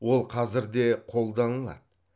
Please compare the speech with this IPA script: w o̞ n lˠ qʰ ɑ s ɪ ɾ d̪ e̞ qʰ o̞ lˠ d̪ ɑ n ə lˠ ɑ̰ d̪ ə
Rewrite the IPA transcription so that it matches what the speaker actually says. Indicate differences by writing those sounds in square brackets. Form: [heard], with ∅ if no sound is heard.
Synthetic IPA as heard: w o̞ [∅] lˠ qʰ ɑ [z] ɪ ɾ d̪ e̞ qʰ o̞ lˠ d̪ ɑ n ə lˠ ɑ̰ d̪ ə